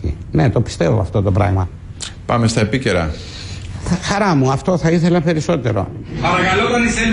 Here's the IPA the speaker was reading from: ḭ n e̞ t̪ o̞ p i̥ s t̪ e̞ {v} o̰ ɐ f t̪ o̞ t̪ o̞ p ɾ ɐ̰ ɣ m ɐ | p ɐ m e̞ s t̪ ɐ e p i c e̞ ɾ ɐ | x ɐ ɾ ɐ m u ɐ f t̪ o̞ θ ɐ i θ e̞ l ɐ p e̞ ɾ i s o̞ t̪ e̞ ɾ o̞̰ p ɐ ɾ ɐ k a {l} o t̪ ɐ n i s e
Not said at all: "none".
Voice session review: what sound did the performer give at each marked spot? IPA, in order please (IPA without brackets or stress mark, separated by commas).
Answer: v, l